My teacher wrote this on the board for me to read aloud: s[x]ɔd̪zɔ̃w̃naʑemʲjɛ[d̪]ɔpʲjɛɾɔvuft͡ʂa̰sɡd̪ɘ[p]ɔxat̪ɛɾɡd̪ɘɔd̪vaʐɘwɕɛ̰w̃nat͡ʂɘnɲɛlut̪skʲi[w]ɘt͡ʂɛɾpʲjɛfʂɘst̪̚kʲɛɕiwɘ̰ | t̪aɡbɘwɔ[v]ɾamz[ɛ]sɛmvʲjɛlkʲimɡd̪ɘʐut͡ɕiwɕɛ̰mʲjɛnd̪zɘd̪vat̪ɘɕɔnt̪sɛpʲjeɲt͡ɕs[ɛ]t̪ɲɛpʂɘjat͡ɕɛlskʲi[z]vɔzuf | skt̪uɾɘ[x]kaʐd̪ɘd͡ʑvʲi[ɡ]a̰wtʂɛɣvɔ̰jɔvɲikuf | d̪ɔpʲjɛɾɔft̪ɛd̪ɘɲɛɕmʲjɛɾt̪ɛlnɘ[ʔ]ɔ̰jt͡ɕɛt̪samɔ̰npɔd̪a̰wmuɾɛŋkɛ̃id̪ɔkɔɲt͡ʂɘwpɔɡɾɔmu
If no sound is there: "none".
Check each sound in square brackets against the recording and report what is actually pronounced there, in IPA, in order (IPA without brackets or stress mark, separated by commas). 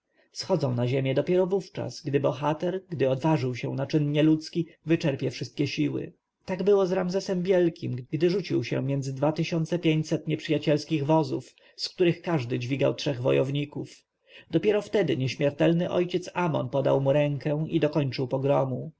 x, d̪, b, v, z, ɛ, ɛ, ɣ, x, ɡ, ʔ